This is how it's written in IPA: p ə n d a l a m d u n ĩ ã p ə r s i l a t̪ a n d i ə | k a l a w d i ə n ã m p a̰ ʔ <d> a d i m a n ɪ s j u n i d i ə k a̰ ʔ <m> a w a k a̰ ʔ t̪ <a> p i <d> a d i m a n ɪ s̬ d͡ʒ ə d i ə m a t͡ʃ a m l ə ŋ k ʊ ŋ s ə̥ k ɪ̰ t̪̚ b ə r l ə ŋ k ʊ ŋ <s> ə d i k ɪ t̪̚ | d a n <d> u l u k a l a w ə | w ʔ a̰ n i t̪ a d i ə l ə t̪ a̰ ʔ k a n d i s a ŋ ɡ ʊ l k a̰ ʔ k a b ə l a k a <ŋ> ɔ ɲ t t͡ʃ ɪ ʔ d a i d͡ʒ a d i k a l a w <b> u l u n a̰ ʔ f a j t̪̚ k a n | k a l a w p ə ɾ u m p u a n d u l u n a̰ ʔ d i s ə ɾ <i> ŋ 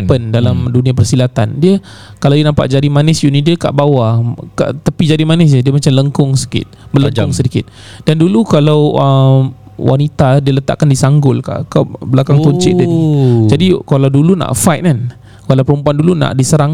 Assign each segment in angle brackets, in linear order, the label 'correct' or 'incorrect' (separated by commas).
incorrect, incorrect, correct, incorrect, correct, correct, correct, incorrect, incorrect